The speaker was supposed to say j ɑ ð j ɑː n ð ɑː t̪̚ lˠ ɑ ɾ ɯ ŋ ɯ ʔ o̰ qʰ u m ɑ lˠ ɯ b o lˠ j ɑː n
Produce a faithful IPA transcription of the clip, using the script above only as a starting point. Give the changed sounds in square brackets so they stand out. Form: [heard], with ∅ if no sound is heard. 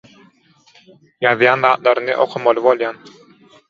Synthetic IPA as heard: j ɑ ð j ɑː n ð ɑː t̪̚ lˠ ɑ ɾ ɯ [n] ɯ ʔ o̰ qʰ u m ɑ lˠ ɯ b o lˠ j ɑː n